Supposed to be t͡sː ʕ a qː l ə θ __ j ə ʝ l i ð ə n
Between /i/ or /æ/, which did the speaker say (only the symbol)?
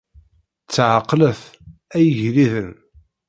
æ